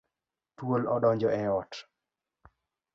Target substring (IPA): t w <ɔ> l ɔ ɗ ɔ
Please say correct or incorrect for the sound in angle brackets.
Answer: incorrect